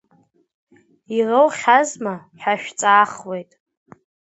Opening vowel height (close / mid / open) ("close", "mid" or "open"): close